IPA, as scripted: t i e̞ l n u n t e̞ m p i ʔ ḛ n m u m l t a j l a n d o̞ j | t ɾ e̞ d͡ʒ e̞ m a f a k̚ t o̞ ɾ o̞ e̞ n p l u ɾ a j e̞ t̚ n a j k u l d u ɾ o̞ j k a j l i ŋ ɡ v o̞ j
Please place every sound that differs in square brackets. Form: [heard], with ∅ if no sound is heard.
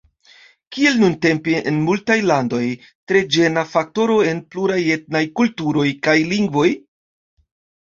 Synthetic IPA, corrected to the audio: [k] i e̞ l n u n t e̞ m p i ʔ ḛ n m u [∅] l t a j l a n d o̞ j | t ɾ e̞ d͡ʒ e̞ [n] a f a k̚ t o̞ ɾ o̞ e̞ n p l u ɾ a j e̞ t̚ n a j k u l [t] u ɾ o̞ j k a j l i ŋ ɡ v o̞ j